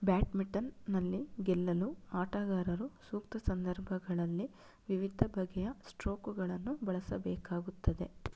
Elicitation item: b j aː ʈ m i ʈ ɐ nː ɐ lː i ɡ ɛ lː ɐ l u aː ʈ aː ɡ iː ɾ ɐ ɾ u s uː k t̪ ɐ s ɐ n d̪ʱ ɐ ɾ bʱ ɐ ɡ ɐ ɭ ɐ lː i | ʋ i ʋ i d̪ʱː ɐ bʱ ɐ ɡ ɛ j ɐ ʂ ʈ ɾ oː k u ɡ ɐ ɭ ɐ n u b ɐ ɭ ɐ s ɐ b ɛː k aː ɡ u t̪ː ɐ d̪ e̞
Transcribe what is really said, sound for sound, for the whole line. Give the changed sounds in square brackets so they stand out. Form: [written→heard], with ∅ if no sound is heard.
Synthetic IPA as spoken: b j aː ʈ m i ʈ ɐ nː ɐ lː i ɡ ɛ lː ɐ l u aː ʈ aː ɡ [iː→aː] ɾ ɐ ɾ u s uː k t̪ ɐ s ɐ n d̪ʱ ɐ ɾ bʱ ɐ ɡ ɐ ɭ ɐ lː i | ʋ i ʋ i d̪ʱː ɐ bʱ ɐ ɡ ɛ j ɐ [ʂ→s] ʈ ɾ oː k u ɡ ɐ ɭ ɐ [n→nː] u b ɐ ɭ ɐ s ɐ b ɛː k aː ɡ u t̪ː ɐ d̪ e̞